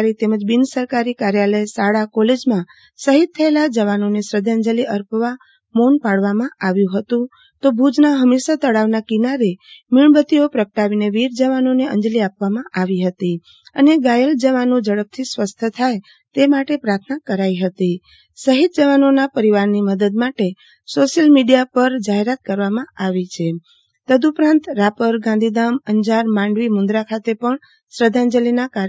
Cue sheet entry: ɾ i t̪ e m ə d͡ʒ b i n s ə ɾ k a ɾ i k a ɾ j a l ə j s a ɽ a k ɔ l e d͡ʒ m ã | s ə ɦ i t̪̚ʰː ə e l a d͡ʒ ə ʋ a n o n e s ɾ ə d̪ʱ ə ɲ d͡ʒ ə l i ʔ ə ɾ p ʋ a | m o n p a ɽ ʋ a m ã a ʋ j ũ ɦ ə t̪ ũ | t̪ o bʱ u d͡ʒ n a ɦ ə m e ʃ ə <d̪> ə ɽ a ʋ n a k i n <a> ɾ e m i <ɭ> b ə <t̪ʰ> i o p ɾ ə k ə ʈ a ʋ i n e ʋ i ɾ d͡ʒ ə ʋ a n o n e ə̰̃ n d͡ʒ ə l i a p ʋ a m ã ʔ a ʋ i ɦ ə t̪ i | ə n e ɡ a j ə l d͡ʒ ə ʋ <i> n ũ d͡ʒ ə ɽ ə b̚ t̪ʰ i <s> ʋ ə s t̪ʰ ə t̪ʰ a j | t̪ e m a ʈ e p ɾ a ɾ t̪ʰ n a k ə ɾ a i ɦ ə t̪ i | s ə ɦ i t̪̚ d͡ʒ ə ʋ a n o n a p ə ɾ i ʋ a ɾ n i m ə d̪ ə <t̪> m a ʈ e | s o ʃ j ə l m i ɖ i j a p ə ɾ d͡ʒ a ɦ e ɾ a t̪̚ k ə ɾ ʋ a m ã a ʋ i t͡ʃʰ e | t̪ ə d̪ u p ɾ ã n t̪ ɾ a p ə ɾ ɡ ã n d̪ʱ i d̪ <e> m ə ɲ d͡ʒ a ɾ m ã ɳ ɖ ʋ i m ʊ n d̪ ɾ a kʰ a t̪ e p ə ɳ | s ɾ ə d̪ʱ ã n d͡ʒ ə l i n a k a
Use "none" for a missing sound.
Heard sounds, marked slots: t̪, a, ɭ, t̪, a, s, d̪, a

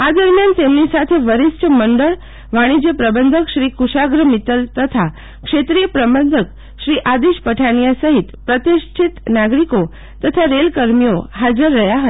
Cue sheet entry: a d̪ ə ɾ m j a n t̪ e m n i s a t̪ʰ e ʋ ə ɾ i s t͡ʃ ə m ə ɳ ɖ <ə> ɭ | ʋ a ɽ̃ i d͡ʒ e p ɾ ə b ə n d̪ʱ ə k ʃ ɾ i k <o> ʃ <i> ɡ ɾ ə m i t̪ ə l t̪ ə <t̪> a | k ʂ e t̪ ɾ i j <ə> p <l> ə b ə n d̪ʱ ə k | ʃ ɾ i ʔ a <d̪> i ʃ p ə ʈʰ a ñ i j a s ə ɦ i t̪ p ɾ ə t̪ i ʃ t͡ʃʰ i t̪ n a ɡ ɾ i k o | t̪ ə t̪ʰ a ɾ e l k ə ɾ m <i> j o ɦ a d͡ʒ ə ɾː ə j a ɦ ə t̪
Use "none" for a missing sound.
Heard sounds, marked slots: ə, u, a, t̪ʰ, ə, ɾ, d̪, i

